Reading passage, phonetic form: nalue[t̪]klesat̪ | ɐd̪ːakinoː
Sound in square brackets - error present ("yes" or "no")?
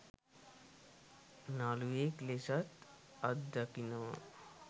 yes